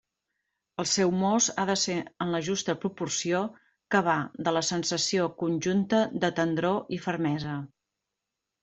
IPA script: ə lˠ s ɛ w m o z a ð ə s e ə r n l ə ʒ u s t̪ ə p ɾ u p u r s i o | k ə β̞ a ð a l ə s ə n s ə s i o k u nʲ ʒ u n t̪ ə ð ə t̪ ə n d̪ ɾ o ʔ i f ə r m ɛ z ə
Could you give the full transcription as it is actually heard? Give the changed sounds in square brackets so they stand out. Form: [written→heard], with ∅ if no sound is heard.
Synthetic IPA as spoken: ə lˠ s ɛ w m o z a ð ə s e ə [r→∅] n l ə ʒ u s t̪ ə p ɾ u p u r s i o | k ə β̞ a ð [a→ə] l ə s ə n s ə s i o k u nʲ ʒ u n t̪ ə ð ə t̪ ə n d̪ ɾ o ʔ i f ə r m ɛ z ə